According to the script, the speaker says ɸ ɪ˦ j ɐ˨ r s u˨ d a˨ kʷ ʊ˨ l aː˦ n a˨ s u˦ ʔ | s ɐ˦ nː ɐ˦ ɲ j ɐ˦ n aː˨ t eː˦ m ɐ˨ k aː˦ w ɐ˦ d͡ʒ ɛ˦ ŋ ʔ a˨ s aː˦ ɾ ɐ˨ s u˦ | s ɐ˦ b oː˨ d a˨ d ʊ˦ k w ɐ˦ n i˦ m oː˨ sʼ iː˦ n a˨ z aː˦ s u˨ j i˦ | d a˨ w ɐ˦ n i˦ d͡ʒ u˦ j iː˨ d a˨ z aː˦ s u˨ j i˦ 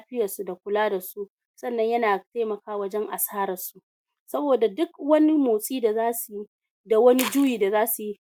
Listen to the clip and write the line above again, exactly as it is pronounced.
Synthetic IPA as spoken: ɸ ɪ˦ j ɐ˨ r s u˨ d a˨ kʷ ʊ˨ l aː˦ d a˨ s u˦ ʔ | s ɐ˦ nː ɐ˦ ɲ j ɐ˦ n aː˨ t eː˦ m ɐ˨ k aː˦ w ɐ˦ d͡ʒ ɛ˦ ŋ ʔ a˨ s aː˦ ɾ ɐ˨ s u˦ | s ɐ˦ b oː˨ d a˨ d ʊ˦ k w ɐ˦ n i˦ m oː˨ sʼ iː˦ d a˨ z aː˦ s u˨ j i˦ | d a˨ w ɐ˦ n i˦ d͡ʒ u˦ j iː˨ d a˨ z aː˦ s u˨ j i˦